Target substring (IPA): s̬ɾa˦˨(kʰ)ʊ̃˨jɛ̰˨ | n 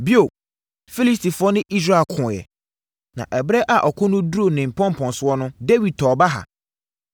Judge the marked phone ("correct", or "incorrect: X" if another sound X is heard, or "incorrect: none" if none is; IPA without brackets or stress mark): correct